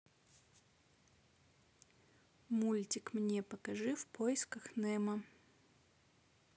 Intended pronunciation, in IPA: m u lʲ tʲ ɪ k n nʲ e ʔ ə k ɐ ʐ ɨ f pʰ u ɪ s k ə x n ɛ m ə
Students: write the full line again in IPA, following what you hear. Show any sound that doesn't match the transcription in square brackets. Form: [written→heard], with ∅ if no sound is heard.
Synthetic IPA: m u lʲ tʲ ɪ k [n→m] nʲ e [ʔ→p] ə k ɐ ʐ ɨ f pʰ [u→o] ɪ s k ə x n ɛ m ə